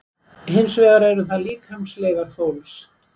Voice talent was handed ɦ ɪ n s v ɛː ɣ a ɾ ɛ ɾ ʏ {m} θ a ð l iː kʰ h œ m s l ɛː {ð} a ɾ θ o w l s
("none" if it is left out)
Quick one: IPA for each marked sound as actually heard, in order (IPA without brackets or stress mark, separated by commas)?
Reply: none, ɣ